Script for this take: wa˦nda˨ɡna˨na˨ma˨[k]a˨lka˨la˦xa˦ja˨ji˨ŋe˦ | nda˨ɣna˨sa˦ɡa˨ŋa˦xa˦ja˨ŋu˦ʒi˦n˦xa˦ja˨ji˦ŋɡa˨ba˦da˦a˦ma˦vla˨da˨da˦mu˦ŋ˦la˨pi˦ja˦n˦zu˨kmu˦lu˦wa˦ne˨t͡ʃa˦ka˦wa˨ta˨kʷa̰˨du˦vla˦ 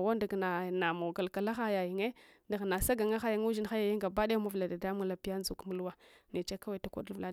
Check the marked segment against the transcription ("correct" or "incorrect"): incorrect